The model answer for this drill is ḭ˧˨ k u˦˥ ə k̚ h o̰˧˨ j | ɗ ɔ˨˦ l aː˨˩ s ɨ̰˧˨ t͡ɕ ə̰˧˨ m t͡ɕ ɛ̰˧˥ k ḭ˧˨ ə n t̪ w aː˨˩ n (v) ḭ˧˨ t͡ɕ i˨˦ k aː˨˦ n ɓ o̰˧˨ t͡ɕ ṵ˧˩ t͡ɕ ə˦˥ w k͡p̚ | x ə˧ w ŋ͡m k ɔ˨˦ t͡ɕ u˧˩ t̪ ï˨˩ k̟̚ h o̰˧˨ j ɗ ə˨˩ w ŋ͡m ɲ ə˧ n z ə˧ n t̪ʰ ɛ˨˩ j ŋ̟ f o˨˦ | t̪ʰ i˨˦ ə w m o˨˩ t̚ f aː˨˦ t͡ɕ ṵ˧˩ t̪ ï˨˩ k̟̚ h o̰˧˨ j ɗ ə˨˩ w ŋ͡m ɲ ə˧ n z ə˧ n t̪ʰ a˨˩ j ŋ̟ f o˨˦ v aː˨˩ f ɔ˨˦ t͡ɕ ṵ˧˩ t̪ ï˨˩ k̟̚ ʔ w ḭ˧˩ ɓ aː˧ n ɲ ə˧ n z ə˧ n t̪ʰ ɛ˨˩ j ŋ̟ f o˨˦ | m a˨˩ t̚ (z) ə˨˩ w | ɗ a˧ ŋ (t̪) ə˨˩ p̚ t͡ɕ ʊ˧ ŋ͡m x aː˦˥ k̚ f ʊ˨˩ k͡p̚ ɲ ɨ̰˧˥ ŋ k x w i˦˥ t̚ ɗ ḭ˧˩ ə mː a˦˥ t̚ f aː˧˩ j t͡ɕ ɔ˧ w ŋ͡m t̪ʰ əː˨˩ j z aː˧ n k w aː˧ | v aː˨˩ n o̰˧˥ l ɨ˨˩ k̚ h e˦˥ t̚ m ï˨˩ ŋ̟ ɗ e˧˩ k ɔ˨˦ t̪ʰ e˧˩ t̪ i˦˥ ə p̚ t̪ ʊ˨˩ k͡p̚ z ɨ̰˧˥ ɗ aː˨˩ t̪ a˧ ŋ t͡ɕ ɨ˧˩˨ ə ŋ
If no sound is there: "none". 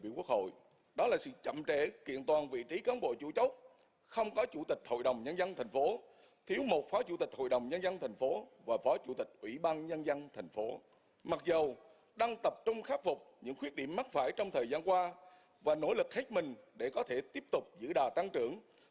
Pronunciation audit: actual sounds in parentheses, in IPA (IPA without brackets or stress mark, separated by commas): v, z, t̪